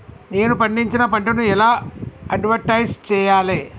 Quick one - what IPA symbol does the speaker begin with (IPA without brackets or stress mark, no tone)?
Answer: n